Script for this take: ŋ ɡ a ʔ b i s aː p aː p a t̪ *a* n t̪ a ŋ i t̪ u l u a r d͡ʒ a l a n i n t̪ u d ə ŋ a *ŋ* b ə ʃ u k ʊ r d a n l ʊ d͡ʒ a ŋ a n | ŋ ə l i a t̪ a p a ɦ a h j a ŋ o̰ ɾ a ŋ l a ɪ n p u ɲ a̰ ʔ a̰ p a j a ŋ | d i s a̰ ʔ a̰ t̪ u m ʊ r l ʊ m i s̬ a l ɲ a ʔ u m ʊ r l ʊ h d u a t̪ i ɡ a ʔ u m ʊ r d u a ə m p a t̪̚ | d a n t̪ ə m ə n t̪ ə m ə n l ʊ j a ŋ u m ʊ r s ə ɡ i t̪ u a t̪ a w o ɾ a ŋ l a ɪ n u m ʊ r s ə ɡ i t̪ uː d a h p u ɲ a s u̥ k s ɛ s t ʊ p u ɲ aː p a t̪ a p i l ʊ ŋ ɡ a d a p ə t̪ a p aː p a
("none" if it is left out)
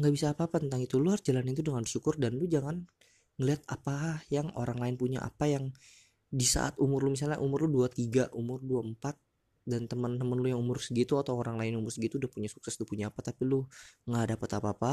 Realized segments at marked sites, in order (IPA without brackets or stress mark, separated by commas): ə, n